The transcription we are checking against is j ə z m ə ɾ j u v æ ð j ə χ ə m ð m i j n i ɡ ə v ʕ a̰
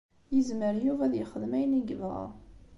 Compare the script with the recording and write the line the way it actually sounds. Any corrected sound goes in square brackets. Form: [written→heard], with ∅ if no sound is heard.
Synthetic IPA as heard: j ə z m ə ɾ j u v æ ð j ə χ ə [m→∅] ð m [i→æ] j n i ɡ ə v [ʕ→ʁ] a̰

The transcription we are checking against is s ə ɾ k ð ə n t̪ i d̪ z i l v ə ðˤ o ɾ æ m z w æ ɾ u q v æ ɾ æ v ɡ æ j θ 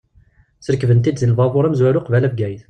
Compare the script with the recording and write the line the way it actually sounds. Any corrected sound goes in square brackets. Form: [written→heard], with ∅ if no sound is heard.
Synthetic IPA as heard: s ə ɾ k [ð→v] ə n t̪ i d̪ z i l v [ə→ɑ] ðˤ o ɾ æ m z w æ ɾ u q v æ [ɾ→l] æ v ɡ æ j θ

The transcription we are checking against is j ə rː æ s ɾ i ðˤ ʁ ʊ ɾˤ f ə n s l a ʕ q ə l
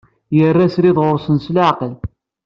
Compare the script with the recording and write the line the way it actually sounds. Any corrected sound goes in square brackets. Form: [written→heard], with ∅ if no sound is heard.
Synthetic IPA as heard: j ə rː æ s ɾ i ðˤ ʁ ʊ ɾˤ [f→s] ə n s l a ʕ q ə l

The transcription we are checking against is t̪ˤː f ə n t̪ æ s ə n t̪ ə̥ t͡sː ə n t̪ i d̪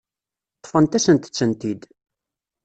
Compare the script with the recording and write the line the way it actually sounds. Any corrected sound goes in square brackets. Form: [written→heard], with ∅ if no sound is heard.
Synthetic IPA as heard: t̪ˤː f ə n t̪ æ s ə n t̪ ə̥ t͡sː ə n t̪ i d̪

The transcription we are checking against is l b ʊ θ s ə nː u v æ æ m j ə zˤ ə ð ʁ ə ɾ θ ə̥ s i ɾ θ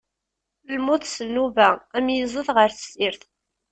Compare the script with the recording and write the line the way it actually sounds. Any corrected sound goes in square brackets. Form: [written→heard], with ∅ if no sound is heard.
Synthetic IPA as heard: l [b→m] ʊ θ s ə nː u v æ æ m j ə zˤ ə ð ʁ ə ɾ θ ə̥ s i ɾ θ

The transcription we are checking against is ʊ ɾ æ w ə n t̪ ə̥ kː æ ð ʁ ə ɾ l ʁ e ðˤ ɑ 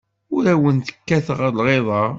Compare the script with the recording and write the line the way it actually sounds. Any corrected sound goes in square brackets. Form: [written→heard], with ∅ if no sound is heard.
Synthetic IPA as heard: ʊ ɾ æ w ə n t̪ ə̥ kː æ [ð→θ] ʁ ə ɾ l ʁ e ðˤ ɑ

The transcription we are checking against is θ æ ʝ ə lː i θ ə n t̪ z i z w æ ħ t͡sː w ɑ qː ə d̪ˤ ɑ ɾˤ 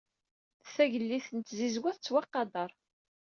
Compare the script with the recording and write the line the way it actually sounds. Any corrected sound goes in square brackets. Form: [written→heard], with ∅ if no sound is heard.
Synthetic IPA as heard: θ æ ʝ ə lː i θ ə n t̪ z i z w æ [ħ→θ] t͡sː w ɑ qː [ə→ɑ] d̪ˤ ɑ ɾˤ

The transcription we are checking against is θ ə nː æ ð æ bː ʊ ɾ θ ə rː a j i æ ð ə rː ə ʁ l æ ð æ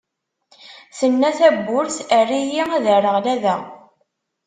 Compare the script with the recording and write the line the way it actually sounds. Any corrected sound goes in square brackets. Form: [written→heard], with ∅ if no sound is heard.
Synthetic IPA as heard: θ ə nː æ [ð→θ] æ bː ʊ ɾ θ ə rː [a→i] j i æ ð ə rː ə ʁ l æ ð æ

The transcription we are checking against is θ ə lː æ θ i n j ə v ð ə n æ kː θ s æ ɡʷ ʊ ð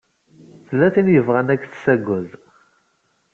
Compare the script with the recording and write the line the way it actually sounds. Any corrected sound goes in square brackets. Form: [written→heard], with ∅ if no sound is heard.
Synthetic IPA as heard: θ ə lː æ θ i n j ə v [ð→ʁ] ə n æ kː θ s æ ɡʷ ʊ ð

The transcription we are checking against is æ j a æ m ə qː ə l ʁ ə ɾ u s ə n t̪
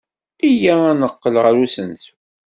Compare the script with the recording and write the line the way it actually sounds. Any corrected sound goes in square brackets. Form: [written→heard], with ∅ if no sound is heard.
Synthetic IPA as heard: [æ→i] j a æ [m→n] ə qː ə l ʁ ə ɾ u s ə n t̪

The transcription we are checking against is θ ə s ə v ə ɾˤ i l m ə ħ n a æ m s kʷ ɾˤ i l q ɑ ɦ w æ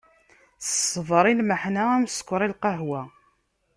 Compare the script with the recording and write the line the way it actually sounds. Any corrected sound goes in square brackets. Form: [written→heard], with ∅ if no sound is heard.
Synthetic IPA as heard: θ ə s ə v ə ɾˤ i l m ə ħ n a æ m s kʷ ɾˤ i l q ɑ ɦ w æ

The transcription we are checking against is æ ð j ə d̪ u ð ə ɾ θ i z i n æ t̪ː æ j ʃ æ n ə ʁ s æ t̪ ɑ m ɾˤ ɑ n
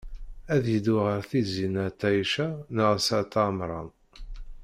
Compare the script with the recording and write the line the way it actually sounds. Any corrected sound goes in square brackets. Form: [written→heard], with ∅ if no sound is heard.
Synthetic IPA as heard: æ ð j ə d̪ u [ð→ʁ] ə ɾ θ i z i n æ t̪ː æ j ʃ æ n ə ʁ s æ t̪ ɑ m ɾˤ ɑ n

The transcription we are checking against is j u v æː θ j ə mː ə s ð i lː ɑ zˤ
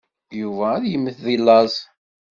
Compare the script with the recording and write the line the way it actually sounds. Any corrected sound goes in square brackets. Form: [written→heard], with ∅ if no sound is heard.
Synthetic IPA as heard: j u v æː [θ→ð] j ə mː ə [s→θ] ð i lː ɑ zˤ

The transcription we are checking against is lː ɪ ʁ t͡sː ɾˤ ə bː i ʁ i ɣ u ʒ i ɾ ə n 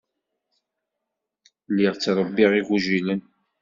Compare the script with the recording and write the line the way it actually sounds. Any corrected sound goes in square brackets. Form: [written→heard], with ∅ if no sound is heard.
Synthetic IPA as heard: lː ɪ ʁ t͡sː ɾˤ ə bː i ʁ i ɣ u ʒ i [ɾ→l] ə n

